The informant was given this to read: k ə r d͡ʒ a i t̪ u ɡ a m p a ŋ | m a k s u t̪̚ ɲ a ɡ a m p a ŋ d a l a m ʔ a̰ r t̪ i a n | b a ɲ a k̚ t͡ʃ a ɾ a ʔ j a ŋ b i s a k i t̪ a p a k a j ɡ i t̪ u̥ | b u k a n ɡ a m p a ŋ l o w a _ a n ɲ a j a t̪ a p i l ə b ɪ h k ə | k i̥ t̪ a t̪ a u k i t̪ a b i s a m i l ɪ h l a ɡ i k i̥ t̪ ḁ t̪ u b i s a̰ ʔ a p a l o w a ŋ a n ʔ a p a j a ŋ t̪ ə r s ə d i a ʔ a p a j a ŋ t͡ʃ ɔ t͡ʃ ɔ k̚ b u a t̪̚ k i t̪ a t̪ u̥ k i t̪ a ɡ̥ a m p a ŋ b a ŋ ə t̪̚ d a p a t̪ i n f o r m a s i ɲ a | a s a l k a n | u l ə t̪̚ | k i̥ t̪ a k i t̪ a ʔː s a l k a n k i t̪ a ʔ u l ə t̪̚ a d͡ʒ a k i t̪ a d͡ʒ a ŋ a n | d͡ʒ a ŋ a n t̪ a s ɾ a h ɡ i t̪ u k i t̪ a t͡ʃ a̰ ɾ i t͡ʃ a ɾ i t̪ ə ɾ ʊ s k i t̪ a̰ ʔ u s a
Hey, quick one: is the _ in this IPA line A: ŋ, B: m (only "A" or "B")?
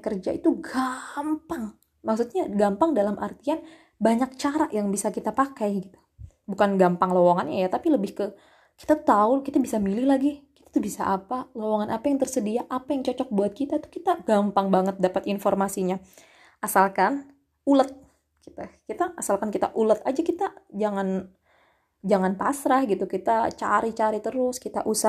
A